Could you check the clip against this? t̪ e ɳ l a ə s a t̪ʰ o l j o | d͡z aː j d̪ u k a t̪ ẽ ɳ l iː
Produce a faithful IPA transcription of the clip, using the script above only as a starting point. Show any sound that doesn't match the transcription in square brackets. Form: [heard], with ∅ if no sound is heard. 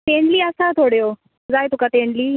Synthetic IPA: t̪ e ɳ l [i] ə s a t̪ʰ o [ɽ] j o | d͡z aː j [t̪] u k a t̪ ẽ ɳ l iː